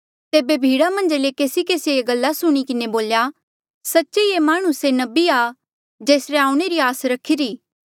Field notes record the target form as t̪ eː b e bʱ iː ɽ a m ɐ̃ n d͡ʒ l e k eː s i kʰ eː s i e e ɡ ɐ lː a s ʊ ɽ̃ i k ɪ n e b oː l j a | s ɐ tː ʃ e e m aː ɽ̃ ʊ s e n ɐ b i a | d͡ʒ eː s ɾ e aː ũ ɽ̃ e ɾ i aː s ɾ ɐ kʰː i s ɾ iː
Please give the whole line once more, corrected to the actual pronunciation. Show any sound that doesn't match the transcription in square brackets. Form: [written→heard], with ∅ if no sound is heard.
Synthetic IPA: t̪ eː b e bʱ iː ɽ a m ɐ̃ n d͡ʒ l e k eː s i [kʰ→k] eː s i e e ɡ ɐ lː a s ʊ ɽ̃ i k ɪ n e b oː l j a | s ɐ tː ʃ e e m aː ɽ̃ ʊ s e n ɐ b i a | d͡ʒ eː s ɾ e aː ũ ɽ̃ e ɾ i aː s ɾ ɐ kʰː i [s→∅] ɾ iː